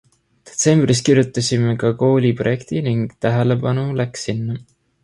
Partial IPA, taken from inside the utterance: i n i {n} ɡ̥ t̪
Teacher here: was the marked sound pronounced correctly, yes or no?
no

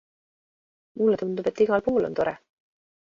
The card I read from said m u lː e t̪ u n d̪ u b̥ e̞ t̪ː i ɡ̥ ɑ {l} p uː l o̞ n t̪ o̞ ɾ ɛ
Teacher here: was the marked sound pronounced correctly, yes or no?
yes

